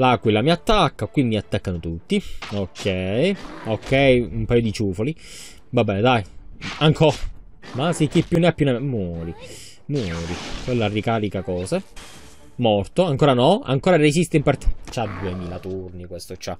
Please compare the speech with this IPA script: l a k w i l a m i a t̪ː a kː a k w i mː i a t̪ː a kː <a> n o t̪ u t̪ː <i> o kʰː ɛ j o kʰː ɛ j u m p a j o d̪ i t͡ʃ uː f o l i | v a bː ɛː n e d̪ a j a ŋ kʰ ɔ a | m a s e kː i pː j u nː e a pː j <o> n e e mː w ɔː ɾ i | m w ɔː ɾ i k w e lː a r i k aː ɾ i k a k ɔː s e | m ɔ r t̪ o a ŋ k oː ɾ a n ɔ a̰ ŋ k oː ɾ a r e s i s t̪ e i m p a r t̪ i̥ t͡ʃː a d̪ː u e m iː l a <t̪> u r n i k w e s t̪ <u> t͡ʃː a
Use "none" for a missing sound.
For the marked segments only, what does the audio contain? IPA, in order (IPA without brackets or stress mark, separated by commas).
a, i, u, t̪, o